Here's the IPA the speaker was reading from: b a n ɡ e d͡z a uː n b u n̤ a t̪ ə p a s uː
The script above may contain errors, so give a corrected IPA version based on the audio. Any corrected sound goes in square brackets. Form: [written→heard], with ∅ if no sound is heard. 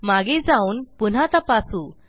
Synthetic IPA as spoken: [b→m] a [n→∅] ɡ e d͡z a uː n [b→p] u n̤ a t̪ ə p a s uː

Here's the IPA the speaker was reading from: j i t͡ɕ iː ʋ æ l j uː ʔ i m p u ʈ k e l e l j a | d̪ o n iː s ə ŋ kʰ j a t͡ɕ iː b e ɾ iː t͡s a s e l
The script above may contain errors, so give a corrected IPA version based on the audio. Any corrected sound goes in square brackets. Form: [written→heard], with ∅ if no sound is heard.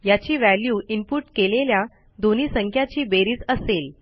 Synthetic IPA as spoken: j [i→a] t͡ɕ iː ʋ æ l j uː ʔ i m p u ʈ k e l e l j a | d̪ o n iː s ə ŋ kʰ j a t͡ɕ iː b e ɾ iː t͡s [a→ə] s e l

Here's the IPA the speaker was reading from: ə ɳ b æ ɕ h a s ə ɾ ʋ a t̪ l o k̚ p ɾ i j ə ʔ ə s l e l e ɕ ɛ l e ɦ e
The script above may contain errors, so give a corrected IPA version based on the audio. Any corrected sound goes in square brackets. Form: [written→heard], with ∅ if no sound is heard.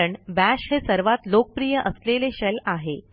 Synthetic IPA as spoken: ə ɳ b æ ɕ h [a→e] s ə ɾ ʋ a t̪ l o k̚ p ɾ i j ə ʔ ə s l e l e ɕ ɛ l [e→a] ɦ e

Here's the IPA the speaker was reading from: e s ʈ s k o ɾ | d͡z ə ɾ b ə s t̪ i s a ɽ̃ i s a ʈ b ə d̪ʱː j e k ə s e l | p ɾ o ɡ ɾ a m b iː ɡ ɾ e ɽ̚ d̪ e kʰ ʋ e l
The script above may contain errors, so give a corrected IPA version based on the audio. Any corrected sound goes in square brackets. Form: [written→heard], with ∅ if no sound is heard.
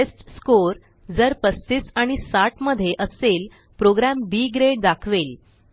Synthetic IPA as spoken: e s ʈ s k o ɾ | d͡z ə ɾ [b→p] ə s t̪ i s a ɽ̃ i s a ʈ [b→m] ə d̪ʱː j e [k→ʔ] ə s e l | p ɾ o ɡ ɾ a m b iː ɡ ɾ e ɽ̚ d̪ [e→a] kʰ ʋ e l

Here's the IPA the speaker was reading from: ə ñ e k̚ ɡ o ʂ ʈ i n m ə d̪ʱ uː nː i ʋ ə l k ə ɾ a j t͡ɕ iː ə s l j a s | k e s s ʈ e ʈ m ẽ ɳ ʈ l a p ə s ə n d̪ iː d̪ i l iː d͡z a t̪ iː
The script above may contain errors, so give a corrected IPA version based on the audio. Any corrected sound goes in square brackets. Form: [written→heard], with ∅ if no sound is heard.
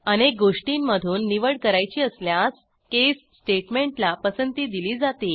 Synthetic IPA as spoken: ə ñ e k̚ ɡ o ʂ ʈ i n m ə d̪ʱ uː nː i ʋ ə [l→ɽ] k ə ɾ a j t͡ɕ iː ə s l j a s | k e s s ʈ e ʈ m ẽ ɳ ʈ l a p ə s ə n [d̪→t̪] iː d̪ i l iː d͡z a t̪ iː

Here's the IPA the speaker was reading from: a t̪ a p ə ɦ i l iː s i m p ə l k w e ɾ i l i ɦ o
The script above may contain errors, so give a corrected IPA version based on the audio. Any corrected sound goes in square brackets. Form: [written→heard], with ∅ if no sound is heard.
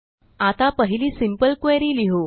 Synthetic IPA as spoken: a t̪ a p ə ɦ i l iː s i m p ə l k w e ɾ i l i ɦ o

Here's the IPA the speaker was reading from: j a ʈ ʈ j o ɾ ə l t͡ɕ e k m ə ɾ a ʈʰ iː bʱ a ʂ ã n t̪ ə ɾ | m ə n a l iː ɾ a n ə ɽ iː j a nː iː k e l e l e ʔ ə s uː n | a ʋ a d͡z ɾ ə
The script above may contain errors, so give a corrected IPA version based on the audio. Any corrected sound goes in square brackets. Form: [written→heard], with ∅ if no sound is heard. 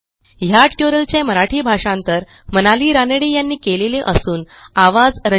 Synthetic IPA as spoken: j a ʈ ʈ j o ɾ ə l t͡ɕ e [k→∅] m ə ɾ a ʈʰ iː bʱ a ʂ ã n t̪ ə ɾ | m ə n a l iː ɾ a n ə ɽ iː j a nː iː k e l e l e ʔ ə s uː n | a ʋ a d͡z ɾ ə

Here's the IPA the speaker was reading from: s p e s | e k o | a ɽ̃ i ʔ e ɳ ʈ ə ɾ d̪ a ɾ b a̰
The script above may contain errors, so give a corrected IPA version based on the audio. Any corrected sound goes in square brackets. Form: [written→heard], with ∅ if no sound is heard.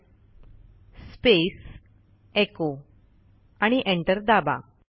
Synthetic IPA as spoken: s p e s | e k o | a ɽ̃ i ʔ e ɳ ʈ ə ɾ d̪ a [ɾ→∅] b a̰

